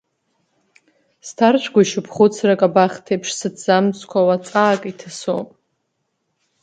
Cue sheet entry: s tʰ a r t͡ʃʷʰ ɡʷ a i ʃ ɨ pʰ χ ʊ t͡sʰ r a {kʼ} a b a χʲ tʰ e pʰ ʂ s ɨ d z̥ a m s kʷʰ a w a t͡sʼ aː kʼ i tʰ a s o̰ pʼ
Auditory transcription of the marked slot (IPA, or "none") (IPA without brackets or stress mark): kʼ